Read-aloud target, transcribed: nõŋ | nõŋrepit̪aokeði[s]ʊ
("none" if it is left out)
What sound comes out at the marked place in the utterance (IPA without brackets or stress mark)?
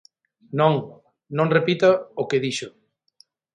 ʃ